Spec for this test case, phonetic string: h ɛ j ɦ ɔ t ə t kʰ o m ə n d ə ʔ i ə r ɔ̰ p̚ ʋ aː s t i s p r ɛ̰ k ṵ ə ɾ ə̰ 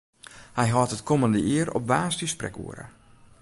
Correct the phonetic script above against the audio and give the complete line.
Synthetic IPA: h ɛ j ɦ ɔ t ə t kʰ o m ə n d ə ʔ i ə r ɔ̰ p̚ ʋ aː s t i s p r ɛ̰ k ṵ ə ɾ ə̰